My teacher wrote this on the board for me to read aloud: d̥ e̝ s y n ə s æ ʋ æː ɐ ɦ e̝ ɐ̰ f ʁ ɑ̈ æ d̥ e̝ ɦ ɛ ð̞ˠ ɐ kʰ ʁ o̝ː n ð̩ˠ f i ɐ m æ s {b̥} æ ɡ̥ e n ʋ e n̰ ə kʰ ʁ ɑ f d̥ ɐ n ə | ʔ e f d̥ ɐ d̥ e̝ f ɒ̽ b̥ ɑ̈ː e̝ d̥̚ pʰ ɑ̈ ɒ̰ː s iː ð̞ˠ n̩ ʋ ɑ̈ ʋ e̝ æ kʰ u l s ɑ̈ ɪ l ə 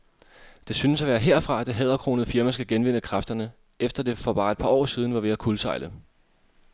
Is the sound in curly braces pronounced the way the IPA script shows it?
no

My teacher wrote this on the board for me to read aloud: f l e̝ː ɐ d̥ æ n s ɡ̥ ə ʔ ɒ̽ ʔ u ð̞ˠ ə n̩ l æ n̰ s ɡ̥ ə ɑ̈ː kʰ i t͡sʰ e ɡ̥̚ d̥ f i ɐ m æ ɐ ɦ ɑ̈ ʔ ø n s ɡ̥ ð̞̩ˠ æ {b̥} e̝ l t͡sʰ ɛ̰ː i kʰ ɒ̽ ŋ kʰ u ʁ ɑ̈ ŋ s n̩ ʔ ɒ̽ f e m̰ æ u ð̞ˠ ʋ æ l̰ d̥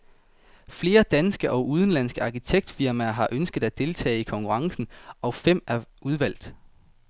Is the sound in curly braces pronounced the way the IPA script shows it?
no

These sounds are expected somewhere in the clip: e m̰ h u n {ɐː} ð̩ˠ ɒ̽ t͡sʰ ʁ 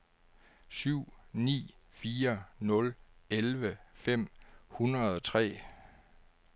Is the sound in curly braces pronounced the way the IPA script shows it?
no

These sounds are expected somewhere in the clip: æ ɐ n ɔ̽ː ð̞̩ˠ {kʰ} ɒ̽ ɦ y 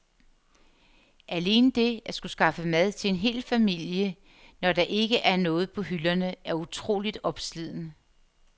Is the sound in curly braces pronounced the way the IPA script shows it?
no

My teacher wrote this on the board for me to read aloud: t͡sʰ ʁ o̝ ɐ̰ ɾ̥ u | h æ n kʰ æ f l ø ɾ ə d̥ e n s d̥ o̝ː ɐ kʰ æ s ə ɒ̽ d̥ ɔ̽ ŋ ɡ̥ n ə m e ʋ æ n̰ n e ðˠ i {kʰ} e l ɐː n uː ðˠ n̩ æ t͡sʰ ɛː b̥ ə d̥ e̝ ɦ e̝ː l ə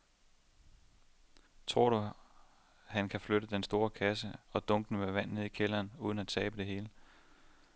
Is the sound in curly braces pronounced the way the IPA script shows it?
yes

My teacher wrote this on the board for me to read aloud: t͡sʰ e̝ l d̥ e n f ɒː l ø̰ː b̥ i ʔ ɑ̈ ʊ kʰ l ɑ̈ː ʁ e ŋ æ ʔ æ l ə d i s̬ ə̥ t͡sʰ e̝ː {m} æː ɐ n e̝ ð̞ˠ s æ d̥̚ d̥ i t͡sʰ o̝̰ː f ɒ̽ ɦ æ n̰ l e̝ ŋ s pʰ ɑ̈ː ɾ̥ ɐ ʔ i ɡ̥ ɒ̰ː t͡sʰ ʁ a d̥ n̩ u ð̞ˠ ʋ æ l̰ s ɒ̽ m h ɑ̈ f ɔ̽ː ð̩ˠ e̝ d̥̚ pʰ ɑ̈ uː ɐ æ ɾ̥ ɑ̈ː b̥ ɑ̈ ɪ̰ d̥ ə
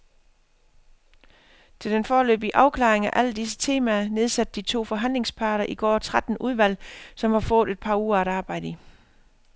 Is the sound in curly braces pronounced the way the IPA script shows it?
yes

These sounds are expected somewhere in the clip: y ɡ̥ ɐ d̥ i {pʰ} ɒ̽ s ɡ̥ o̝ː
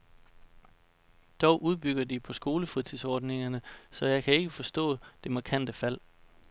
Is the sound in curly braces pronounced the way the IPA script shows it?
yes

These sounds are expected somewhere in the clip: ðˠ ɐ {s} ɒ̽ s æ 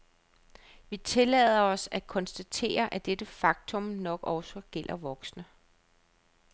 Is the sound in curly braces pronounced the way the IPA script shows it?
no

